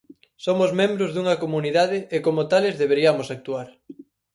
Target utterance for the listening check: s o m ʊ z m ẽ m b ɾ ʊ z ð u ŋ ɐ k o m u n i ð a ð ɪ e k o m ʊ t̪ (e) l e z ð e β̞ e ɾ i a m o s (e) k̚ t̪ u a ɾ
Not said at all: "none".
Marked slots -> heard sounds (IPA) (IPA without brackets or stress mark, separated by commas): a, a